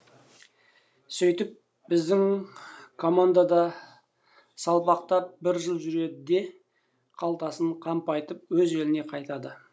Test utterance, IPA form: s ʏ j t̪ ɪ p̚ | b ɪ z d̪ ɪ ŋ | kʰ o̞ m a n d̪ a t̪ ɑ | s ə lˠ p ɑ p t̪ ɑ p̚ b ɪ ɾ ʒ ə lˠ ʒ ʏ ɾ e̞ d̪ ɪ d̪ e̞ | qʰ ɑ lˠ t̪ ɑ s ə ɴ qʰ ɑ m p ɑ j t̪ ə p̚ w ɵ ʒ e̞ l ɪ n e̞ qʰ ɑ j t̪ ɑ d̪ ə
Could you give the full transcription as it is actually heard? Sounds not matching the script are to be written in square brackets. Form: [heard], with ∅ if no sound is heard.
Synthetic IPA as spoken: s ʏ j t̪ ɪ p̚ | b ɪ z d̪ ɪ ŋ | kʰ o̞ m a n d̪ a [d̪] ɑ | s [ɑ] lˠ p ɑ [q] t̪ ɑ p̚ b ɪ ɾ ʒ ə lˠ ʒ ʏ ɾ e̞ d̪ ɪ d̪ e̞ | qʰ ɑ lˠ t̪ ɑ s ə ɴ qʰ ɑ m p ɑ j t̪ ə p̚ w ɵ [z] e̞ l ɪ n e̞ qʰ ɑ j t̪ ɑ d̪ ə